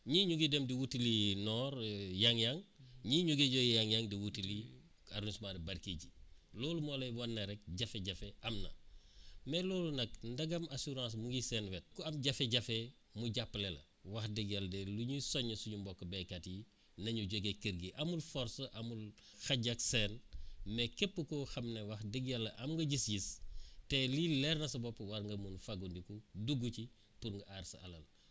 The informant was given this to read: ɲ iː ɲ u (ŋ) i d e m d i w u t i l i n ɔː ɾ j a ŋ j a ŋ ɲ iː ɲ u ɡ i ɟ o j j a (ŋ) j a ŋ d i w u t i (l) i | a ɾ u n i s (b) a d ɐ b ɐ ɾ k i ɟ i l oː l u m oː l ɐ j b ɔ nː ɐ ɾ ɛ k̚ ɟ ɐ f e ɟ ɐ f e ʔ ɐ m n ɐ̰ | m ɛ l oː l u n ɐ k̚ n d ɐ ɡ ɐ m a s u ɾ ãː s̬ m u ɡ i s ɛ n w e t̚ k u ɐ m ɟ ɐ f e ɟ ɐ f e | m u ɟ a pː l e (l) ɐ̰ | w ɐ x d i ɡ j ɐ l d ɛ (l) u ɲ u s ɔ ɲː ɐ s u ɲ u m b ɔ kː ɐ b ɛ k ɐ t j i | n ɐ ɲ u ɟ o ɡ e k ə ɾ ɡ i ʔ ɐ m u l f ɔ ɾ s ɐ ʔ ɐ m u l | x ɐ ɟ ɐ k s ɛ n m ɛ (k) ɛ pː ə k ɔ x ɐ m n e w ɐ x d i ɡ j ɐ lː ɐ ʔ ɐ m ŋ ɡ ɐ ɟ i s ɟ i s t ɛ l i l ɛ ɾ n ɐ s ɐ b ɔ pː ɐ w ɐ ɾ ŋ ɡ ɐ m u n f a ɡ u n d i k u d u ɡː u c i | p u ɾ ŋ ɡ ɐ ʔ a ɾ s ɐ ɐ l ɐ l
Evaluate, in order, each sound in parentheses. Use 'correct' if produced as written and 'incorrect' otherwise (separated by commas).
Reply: incorrect, correct, correct, incorrect, correct, correct, correct